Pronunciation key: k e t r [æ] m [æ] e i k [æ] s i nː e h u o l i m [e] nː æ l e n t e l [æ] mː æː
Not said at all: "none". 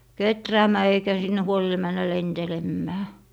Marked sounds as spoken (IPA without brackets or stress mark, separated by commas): æː, æː, æ, æ, e